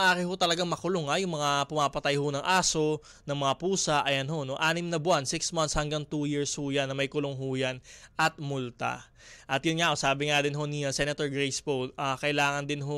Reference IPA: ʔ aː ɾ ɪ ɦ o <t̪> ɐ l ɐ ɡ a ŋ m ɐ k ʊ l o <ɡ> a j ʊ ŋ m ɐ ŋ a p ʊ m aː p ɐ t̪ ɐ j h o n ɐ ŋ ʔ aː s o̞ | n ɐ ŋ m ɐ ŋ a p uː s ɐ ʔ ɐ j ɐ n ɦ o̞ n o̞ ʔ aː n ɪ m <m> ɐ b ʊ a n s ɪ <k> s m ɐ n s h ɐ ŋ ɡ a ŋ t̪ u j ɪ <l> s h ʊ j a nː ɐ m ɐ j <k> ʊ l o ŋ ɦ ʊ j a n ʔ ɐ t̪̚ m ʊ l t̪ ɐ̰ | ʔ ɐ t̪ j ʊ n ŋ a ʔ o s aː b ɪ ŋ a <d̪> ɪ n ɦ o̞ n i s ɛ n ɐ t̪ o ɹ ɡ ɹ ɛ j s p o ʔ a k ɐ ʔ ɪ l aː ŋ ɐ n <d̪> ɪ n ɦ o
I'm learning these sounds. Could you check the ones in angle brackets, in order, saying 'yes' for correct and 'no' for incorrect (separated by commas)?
yes, no, no, yes, no, yes, yes, yes